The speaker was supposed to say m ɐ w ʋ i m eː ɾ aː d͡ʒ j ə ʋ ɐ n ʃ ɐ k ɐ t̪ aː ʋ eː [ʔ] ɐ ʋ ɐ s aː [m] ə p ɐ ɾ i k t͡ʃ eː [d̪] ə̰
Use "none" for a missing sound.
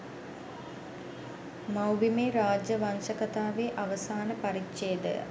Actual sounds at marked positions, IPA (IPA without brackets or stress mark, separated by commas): ʔ, n, d̪